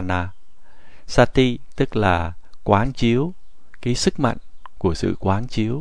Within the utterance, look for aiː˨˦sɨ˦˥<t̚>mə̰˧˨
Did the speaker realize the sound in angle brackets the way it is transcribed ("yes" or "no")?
no